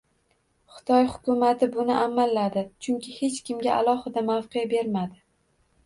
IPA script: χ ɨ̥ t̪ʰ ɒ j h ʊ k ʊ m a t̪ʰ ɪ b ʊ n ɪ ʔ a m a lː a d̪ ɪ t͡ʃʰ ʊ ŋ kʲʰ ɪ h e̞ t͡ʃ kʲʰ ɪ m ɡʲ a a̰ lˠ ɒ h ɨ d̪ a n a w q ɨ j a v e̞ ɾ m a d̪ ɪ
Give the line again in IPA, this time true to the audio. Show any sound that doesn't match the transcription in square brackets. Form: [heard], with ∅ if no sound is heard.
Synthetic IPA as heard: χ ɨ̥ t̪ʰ ɒ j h ʊ k ʊ m a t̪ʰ ɪ b ʊ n ɪ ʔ a m a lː a d̪ ɪ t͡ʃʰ ʊ ŋ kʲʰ ɪ h e̞ t͡ʃ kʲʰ ɪ m ɡʲ a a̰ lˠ ɒ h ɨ d̪ a [m] a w q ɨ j a [b] e̞ ɾ m a d̪ ɪ